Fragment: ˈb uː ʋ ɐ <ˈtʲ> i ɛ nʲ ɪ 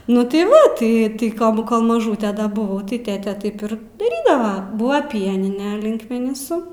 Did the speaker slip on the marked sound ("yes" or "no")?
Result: yes